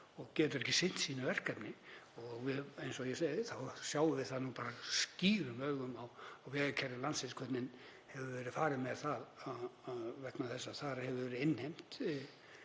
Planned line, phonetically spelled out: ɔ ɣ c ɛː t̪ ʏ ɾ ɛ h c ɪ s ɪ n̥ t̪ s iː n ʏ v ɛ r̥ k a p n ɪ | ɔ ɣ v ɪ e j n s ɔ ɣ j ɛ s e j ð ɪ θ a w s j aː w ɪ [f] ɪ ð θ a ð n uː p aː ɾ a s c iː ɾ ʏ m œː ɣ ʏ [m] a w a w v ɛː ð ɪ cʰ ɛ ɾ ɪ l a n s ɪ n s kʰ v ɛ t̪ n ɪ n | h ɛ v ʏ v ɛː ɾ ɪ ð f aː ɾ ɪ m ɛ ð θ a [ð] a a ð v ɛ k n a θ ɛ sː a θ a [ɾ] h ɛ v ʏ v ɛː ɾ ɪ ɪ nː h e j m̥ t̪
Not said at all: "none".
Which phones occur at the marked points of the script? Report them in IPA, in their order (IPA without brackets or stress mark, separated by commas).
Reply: v, m, ð, ɾ